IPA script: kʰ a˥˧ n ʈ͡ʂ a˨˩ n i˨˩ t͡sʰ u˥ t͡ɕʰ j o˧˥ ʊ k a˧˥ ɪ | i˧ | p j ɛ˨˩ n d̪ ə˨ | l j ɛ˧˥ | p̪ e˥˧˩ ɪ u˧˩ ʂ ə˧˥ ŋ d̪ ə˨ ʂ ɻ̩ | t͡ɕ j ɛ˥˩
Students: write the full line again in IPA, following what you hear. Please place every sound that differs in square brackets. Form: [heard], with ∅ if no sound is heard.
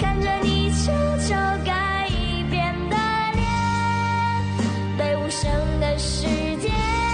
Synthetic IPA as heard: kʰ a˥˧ n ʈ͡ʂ [ə˨˩] n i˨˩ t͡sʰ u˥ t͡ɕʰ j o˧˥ ʊ k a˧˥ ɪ | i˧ | p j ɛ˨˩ n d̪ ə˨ | l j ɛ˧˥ | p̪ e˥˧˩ ɪ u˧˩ ʂ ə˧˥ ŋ d̪ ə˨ ʂ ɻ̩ | t͡ɕ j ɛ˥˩

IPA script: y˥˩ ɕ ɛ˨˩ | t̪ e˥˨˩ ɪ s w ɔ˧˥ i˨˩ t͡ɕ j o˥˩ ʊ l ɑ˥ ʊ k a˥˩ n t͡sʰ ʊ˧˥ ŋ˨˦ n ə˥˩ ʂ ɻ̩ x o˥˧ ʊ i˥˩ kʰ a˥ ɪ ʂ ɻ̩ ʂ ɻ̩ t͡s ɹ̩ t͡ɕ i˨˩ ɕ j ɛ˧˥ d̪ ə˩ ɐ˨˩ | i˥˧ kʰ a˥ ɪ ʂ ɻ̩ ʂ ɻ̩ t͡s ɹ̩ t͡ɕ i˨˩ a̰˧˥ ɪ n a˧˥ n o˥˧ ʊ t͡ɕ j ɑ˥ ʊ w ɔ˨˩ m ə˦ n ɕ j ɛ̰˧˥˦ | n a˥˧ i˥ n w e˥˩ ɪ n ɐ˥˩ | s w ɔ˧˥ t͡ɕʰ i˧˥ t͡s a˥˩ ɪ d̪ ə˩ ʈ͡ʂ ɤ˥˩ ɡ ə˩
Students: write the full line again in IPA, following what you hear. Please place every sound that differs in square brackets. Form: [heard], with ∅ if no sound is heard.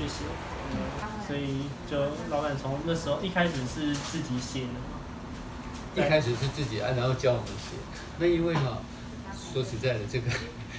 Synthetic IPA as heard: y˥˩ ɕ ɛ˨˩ | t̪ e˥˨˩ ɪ s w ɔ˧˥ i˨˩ t͡ɕ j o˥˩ ʊ l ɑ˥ ʊ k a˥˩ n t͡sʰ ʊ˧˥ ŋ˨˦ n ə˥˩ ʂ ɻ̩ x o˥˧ ʊ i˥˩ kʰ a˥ ɪ ʂ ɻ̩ ʂ ɻ̩ t͡s ɹ̩ t͡ɕ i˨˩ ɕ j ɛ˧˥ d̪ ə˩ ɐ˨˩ | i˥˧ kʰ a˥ ɪ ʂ ɻ̩ ʂ ɻ̩ t͡s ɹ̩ t͡ɕ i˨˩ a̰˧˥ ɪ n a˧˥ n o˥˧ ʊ t͡ɕ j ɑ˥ ʊ w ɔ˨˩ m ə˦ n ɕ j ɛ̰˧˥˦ | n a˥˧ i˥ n w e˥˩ ɪ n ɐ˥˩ | s w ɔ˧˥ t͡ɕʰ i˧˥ t͡s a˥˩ ɪ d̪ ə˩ ʈ͡ʂ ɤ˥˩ ɡ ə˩

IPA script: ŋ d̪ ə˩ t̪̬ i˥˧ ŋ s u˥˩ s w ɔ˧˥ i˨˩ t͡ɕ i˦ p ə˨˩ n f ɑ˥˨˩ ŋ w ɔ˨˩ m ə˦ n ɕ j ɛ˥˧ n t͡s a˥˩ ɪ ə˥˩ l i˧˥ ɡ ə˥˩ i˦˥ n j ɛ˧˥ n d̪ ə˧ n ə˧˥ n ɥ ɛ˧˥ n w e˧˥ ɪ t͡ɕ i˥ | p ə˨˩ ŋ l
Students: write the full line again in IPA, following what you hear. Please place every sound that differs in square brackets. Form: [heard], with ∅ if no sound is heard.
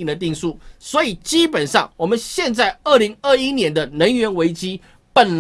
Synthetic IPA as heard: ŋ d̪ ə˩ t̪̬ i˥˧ ŋ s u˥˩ s w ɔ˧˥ i˨˩ t͡ɕ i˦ p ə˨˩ n [ʂ] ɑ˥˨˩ ŋ w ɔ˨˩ m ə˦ n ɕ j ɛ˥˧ n t͡s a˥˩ ɪ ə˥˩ l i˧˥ [ŋ] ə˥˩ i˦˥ n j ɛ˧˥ n d̪ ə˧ n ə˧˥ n ɥ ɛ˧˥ n w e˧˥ ɪ t͡ɕ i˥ | p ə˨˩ [n] l

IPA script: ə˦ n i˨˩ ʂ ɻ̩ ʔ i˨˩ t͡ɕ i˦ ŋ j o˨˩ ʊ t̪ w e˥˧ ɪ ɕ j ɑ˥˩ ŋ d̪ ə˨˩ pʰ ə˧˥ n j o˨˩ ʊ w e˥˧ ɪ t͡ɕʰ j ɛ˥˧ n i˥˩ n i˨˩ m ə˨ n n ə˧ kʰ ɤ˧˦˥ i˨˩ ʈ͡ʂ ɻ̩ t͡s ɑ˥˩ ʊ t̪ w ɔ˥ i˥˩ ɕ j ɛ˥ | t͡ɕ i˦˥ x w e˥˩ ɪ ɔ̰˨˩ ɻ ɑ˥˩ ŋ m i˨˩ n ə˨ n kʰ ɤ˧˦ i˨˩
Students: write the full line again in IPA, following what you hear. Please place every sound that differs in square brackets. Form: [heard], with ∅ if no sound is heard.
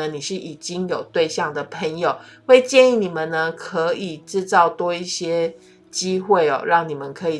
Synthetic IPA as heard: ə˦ n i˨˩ ʂ ɻ̩ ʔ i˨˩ t͡ɕ i˦ ŋ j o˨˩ ʊ t̪ w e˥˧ ɪ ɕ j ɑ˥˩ ŋ d̪ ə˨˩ pʰ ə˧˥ [ŋ] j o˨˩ ʊ w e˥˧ ɪ [t͡ɕ] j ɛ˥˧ n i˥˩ n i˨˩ m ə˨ n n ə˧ kʰ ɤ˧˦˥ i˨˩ ʈ͡ʂ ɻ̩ t͡s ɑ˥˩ ʊ t̪ w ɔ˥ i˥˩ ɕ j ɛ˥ | t͡ɕ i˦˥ x w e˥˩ ɪ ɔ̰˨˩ ɻ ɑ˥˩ ŋ [n] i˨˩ [m] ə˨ n kʰ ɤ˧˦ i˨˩

